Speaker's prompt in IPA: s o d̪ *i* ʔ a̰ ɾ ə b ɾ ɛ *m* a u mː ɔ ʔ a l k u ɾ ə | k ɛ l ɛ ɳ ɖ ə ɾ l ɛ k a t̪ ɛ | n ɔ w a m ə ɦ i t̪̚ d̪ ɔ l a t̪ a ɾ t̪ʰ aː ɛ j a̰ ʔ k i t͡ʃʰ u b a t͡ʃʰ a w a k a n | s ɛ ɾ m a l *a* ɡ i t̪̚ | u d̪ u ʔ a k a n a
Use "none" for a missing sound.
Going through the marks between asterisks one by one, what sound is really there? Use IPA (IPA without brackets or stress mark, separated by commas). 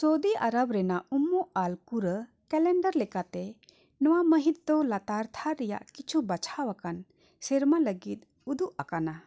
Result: i, n, ə